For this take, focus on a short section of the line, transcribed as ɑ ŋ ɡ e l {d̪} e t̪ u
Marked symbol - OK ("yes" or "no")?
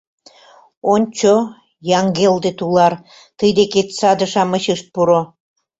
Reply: yes